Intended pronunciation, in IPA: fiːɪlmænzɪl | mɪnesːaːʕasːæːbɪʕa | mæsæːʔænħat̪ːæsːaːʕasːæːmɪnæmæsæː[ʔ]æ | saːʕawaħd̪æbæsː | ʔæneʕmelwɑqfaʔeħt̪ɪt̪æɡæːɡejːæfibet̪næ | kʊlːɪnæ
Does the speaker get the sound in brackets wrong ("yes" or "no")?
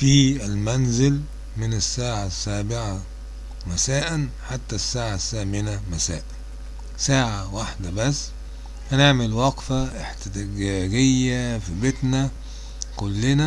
no